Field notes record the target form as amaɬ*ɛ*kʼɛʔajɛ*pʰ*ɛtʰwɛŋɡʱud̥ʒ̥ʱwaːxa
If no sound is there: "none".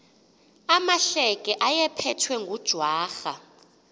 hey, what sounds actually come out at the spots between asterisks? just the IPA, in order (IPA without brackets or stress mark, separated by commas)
ɛ, pʰ